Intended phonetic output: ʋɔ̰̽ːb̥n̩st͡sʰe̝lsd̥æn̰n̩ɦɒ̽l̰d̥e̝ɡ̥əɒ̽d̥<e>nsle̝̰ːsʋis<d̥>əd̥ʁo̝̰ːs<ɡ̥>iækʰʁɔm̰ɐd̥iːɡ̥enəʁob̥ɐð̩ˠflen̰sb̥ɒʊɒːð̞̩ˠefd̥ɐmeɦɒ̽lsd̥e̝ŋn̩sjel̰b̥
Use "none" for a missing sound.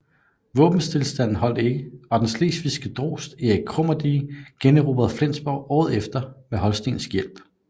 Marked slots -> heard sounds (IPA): e, ɡ̥, d̥

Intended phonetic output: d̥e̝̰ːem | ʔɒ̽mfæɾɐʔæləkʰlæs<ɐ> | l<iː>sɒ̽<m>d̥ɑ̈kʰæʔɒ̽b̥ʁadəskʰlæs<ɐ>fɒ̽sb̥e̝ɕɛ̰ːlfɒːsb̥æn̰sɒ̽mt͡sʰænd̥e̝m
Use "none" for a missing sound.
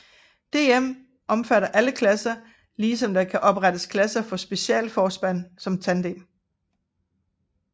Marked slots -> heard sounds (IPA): ɐ, iː, m, ɐ

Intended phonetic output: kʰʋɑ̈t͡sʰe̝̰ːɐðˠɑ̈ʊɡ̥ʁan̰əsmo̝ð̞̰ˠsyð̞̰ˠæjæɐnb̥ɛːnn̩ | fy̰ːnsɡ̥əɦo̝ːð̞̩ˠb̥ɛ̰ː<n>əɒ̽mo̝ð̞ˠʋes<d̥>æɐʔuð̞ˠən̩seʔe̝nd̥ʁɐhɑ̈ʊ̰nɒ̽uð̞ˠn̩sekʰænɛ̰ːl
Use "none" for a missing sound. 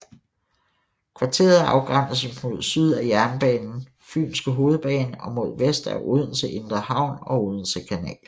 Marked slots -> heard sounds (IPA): n, d̥

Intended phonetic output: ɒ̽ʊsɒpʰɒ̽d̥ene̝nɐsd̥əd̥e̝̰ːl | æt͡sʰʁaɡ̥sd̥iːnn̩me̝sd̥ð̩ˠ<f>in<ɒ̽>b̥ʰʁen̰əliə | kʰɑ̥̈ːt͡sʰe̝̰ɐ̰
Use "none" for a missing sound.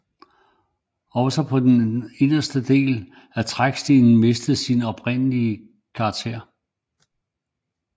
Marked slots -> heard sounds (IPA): s, ɒ̽

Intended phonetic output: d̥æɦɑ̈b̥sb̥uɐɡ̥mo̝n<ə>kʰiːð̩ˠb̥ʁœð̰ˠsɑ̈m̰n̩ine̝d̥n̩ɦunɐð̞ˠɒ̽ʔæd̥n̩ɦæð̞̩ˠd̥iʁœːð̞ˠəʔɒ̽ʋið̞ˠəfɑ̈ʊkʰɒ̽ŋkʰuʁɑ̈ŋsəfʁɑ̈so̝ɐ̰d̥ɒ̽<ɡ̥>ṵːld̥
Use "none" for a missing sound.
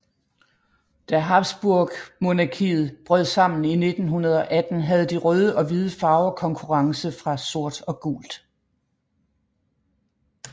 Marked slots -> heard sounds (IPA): ɑ, ɡ̥

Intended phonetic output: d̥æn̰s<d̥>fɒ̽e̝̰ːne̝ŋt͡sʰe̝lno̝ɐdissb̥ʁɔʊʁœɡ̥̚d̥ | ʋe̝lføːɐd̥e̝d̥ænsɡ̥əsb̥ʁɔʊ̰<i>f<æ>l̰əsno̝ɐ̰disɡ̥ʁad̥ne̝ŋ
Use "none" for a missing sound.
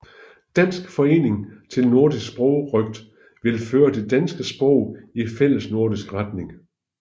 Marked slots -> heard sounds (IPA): ɡ̥, i, e

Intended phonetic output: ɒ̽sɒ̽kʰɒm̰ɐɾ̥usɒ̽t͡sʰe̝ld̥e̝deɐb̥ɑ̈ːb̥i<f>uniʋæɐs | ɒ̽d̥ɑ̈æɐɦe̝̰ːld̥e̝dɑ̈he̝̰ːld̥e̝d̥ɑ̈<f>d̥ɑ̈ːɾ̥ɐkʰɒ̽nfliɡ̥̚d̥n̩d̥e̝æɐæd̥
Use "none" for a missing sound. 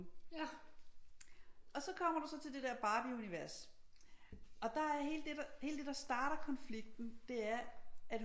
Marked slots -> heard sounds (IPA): none, s

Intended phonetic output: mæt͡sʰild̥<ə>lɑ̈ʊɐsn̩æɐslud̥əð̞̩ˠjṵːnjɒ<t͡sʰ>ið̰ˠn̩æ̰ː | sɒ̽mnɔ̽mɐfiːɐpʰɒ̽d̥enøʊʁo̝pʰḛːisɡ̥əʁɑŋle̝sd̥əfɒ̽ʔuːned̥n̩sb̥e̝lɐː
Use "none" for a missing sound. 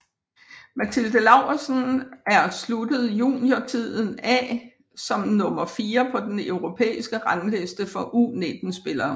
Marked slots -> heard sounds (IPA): ə, t͡sʰ

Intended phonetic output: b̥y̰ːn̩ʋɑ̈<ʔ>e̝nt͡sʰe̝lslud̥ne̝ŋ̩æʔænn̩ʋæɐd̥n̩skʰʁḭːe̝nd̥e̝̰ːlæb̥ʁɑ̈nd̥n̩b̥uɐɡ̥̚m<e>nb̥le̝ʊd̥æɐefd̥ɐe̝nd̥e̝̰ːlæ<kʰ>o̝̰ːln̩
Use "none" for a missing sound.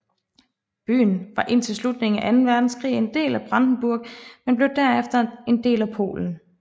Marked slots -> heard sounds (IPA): ʔ, e, pʰ

